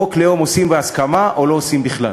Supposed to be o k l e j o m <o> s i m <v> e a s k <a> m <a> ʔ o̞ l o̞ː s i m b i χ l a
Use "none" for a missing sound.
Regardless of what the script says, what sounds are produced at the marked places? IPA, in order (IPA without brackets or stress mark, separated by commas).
o, b, a, a